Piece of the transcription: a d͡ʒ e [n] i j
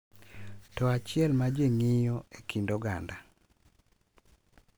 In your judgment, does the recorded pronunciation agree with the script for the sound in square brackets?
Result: no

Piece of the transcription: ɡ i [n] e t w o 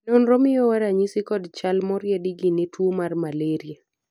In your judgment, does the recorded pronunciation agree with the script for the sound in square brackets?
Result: yes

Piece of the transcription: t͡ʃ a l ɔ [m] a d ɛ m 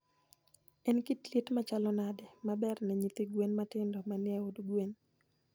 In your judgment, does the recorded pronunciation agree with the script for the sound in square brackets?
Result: no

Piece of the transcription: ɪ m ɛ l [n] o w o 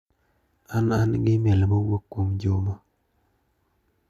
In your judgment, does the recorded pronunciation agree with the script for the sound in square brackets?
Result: no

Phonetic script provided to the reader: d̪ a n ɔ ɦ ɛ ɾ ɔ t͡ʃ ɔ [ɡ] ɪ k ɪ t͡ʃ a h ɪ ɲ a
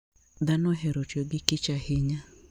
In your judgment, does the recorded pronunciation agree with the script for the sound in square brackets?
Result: yes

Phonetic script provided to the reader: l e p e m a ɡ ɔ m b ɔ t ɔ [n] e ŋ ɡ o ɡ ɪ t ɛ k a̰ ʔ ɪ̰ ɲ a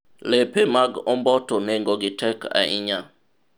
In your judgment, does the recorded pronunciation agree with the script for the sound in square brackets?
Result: yes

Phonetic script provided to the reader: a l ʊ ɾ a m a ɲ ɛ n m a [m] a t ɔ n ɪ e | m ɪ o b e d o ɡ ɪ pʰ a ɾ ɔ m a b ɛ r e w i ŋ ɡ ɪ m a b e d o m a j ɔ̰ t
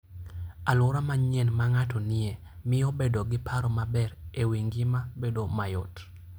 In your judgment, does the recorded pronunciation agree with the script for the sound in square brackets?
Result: no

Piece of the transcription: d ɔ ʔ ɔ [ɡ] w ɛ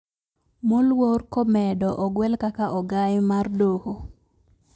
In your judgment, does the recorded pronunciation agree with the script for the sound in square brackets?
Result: yes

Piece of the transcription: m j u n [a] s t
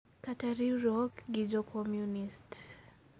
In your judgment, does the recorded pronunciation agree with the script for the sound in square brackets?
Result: no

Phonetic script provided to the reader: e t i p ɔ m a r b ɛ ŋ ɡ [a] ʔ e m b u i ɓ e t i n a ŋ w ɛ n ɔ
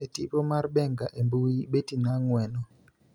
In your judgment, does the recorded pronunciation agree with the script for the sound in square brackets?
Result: yes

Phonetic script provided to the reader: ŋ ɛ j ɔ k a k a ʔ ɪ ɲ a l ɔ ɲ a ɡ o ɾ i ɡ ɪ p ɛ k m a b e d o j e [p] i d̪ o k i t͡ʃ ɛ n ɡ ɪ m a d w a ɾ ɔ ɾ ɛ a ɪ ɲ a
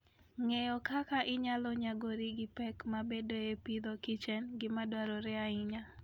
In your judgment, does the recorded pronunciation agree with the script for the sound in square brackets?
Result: yes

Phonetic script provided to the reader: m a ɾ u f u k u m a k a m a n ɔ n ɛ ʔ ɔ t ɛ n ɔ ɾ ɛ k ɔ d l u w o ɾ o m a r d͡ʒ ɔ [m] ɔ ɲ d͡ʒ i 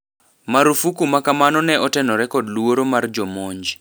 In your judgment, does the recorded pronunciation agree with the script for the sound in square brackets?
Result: yes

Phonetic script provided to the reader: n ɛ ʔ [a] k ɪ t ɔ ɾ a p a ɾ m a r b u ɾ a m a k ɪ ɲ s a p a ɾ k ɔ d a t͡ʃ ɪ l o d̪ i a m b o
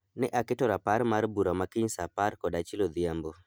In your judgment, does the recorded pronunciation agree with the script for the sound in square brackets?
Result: yes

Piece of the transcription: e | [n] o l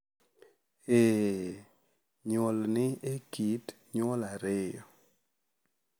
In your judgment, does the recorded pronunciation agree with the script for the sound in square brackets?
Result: no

